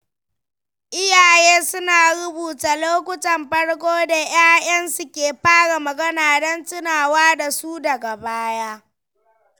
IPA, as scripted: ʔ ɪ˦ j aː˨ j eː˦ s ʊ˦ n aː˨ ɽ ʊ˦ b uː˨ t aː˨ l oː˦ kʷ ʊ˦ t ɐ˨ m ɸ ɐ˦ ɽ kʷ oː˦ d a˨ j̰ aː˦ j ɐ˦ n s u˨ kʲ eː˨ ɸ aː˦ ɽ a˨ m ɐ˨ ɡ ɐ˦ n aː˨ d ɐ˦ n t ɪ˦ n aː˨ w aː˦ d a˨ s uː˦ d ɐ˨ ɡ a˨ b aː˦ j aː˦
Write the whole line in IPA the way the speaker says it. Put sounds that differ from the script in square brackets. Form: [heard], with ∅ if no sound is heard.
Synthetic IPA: ʔ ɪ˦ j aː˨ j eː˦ s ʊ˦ n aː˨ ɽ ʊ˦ b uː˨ t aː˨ l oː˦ kʷ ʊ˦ t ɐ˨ m ɸ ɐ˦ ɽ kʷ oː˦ d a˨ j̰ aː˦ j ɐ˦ n s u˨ kʲ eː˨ ɸ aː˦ ɽ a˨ m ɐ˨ ɡ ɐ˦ n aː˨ d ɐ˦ n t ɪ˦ n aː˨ w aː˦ d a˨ s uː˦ d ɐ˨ ɡ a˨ b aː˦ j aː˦